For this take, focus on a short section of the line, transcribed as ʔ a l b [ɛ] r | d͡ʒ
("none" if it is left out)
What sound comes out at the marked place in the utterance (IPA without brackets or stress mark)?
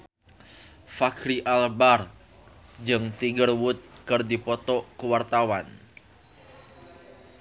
a